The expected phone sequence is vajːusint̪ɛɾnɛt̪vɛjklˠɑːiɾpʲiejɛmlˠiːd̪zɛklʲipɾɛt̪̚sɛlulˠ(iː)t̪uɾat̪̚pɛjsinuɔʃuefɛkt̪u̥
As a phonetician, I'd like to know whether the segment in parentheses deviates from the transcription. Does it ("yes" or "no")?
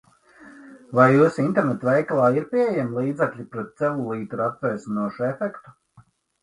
no